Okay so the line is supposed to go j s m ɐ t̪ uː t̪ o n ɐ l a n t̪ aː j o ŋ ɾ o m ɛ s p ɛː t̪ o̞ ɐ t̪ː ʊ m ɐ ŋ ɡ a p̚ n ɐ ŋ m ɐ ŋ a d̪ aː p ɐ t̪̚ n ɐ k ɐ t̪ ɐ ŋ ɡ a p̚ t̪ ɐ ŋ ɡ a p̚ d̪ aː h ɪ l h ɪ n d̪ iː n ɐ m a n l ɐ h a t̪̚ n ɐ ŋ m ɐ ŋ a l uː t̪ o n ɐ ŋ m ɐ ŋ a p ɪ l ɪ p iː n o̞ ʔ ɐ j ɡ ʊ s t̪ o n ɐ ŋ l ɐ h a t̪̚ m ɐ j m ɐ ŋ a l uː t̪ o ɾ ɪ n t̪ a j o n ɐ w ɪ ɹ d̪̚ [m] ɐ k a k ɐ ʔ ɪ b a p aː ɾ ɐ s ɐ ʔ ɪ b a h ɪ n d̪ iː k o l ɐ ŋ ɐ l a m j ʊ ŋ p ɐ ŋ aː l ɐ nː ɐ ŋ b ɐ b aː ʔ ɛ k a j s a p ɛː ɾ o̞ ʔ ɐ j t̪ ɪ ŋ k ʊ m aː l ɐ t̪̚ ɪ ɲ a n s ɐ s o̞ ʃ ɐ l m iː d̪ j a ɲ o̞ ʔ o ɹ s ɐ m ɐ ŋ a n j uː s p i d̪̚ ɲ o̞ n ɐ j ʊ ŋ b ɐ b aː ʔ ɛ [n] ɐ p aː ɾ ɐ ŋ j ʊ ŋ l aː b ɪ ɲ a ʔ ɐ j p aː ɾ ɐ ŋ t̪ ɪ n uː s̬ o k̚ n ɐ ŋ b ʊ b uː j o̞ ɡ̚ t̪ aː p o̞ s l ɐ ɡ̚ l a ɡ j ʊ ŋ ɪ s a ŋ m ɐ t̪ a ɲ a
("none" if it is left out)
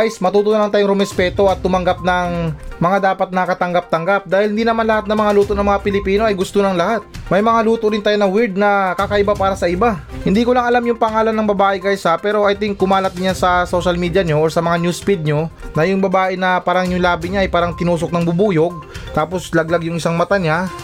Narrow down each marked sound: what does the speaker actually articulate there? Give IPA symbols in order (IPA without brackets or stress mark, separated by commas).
n, n